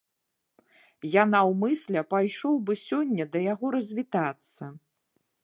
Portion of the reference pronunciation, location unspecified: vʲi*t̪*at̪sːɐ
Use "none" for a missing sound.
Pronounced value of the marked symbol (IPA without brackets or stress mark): t̪